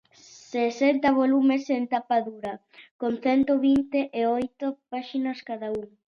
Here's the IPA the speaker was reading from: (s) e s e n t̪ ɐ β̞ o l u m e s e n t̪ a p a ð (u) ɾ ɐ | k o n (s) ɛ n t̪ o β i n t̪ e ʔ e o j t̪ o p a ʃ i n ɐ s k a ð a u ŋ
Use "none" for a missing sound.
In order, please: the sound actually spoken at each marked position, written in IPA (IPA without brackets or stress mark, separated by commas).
s, u, θ